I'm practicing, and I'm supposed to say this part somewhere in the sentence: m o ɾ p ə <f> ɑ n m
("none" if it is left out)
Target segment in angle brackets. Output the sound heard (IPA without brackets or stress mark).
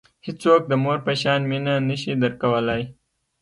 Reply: ʃ